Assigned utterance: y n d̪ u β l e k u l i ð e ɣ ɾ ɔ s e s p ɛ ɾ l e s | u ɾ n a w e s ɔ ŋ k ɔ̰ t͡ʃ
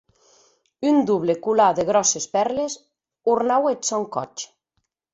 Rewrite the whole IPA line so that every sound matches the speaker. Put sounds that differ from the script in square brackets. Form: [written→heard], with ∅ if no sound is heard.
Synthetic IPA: y n d̪ u β l e k u l [i→a] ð e ɣ ɾ ɔ s e s p ɛ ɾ l e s | u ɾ n a w e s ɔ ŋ k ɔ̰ t͡ʃ